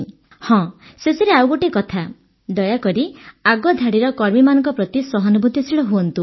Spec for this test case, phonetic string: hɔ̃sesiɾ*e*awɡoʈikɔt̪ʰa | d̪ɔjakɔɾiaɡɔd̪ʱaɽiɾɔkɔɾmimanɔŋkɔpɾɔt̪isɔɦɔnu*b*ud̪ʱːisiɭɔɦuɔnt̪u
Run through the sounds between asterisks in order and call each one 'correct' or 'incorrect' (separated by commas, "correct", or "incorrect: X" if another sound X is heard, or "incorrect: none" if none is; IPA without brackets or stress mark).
correct, correct